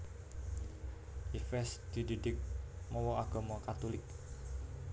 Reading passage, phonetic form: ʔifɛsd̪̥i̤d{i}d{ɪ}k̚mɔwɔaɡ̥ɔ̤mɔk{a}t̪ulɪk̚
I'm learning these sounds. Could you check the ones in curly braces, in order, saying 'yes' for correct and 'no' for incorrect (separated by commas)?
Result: yes, yes, yes